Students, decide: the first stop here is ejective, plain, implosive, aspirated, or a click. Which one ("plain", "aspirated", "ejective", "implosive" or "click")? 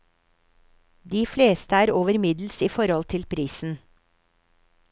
plain